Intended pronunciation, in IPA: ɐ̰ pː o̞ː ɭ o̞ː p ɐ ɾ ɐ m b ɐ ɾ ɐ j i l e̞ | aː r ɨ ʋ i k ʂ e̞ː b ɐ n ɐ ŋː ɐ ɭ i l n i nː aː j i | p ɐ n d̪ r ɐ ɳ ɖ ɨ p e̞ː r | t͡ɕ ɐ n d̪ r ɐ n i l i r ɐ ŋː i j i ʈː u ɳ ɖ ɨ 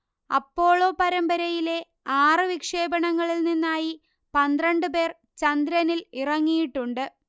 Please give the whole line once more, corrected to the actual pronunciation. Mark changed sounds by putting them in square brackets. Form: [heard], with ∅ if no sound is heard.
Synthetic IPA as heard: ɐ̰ pː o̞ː ɭ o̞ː p ɐ ɾ ɐ m b ɐ ɾ ɐ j i l e̞ | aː r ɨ ʋ i k ʂ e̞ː b ɐ [ɳ] ɐ ŋː ɐ ɭ i l n i nː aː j i | p ɐ n d̪ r ɐ ɳ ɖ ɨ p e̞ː r | t͡ɕ ɐ n d̪ [ɾ] ɐ n i l i r ɐ ŋː i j i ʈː u ɳ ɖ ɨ

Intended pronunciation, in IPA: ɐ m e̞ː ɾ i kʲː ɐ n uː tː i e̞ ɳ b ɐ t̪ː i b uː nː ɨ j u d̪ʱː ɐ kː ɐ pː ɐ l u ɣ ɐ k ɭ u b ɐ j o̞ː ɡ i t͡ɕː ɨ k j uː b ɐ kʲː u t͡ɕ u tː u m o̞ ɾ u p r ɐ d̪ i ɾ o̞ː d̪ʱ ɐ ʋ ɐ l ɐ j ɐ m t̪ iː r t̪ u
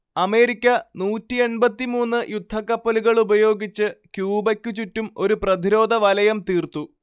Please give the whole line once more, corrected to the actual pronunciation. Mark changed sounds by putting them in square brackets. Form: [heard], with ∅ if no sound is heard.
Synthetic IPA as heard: ɐ m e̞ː ɾ i kʲː ɐ n uː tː i e̞ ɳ b ɐ t̪ː i [m] uː nː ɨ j u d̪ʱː ɐ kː ɐ pː ɐ l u ɣ ɐ [∅] ɭ u b ɐ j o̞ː ɡ i t͡ɕː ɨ k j uː b ɐ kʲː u t͡ɕ u tː u m o̞ ɾ u p r ɐ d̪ i ɾ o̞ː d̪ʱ ɐ ʋ ɐ l ɐ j ɐ m t̪ iː r t̪ u

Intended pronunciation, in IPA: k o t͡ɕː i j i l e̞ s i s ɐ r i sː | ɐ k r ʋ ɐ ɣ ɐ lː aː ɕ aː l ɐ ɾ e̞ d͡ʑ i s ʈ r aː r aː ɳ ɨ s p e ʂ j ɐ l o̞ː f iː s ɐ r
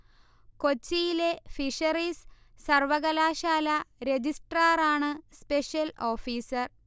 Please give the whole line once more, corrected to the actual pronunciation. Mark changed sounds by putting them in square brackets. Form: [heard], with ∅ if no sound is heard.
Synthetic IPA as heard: k o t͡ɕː i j i l e̞ [f] i [ʂ] ɐ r i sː | ɐ [∅] r ʋ ɐ ɣ ɐ [l] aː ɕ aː l ɐ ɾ e̞ d͡ʑ i s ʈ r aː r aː ɳ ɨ s p e ʂ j ɐ l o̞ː f iː s ɐ r

